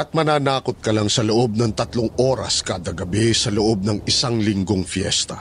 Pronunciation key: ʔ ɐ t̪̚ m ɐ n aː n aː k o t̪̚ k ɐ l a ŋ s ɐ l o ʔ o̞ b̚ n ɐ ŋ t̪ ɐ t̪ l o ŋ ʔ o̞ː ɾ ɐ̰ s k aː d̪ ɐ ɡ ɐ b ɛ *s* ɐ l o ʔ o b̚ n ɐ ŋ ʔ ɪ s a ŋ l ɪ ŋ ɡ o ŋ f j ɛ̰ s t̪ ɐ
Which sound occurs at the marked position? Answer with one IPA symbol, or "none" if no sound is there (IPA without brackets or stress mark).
s